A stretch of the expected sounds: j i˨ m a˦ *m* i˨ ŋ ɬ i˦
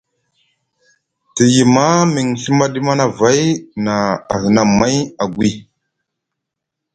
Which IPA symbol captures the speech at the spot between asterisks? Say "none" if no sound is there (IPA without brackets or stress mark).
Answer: m